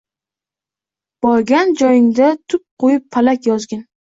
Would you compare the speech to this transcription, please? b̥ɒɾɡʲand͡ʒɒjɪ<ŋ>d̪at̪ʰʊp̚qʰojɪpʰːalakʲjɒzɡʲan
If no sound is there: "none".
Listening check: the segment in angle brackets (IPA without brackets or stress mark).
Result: ŋ